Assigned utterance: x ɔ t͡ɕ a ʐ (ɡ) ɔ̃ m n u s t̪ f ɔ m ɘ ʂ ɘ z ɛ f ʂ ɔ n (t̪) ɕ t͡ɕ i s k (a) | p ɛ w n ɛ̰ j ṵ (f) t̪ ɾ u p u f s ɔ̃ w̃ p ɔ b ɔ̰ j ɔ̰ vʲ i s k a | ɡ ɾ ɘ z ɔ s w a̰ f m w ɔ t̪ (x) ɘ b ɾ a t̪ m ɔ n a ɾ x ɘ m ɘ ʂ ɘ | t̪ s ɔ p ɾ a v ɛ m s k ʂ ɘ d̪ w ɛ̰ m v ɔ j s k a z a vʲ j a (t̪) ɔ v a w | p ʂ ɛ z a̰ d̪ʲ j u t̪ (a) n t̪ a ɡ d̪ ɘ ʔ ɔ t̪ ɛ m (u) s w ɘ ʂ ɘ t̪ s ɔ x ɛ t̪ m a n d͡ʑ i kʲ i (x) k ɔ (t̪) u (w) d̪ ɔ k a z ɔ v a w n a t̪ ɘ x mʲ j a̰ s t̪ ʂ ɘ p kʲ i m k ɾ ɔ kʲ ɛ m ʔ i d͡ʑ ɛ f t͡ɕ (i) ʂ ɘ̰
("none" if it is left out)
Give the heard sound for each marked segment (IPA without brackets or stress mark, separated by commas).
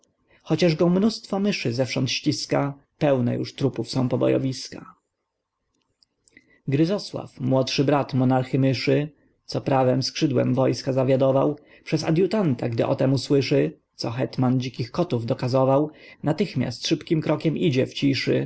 ɡ, t̪, a, ʂ, ʂ, d̪, a, u, x, t̪, v, i